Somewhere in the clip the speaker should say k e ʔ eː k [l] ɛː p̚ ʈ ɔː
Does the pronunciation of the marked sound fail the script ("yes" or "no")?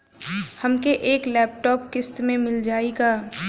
no